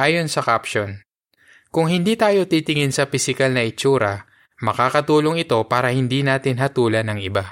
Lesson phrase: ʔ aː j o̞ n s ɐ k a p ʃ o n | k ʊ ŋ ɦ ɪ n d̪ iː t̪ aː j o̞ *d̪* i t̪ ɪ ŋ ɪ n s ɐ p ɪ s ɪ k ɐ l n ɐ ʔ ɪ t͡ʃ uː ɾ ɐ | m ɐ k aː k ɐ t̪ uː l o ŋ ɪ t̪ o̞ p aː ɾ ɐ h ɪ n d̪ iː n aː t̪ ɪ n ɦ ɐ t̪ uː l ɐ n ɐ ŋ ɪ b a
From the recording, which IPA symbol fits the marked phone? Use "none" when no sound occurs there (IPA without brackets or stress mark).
t̪